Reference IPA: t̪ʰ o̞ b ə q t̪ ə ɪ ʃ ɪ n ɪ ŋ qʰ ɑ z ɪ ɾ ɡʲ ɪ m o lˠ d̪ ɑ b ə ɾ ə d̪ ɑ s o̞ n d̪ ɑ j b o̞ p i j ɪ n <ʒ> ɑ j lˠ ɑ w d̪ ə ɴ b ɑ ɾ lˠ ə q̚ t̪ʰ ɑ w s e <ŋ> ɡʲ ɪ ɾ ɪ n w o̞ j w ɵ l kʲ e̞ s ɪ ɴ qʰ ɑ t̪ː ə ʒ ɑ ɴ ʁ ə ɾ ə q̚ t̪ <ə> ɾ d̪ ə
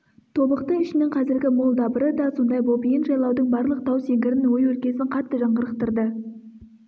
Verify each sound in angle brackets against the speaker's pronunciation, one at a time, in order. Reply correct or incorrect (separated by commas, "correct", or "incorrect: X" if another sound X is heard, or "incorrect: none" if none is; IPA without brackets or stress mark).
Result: correct, correct, correct